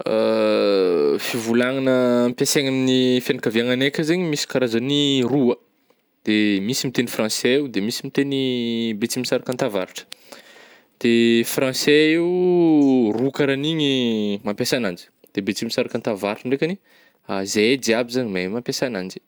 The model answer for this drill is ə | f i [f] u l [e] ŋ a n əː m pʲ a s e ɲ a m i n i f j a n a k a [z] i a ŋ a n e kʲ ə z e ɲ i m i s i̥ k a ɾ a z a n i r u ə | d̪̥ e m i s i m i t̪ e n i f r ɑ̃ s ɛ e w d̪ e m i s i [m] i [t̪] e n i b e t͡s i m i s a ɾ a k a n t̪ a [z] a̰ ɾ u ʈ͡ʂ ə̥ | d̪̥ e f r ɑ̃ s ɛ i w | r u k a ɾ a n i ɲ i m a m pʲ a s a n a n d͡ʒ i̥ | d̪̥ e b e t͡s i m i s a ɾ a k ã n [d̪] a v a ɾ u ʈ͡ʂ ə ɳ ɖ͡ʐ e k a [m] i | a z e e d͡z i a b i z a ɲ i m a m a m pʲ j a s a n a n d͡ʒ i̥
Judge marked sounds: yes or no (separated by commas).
no, no, no, yes, yes, no, no, no